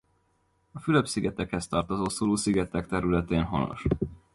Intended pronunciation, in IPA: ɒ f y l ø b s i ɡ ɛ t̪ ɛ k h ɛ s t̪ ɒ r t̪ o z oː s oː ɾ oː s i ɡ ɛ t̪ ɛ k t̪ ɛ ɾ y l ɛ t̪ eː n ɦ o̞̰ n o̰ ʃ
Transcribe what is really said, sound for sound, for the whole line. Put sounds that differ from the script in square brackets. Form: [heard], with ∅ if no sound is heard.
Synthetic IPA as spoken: ɒ f y l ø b s i ɡ ɛ t̪ ɛ k h ɛ s t̪ ɒ r t̪ o z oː s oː [l] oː s i ɡ ɛ t̪ ɛ k t̪ ɛ ɾ y l ɛ t̪ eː n ɦ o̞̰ n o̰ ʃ

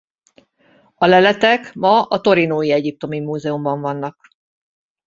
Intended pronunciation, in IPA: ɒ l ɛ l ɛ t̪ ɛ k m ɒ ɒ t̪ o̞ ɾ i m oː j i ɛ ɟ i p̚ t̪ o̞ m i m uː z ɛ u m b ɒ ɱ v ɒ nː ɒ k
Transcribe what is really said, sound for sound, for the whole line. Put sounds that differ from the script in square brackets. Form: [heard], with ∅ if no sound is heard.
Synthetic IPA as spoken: ɒ l ɛ l ɛ t̪ ɛ k m ɒ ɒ t̪ o̞ ɾ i [n] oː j i ɛ ɟ i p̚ t̪ o̞ m i m uː z ɛ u m b ɒ ɱ v ɒ nː ɒ k

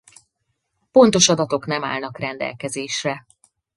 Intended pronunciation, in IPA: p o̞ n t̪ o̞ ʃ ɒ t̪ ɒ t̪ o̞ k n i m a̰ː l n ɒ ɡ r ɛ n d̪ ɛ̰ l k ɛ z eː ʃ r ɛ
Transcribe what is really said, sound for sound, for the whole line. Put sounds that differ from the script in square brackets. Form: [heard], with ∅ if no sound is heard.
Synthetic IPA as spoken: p o̞ n t̪ o̞ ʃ ɒ [d̪] ɒ t̪ o̞ k n [ɛ] m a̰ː l n ɒ [k] r ɛ n d̪ ɛ̰ l k ɛ z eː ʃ r ɛ

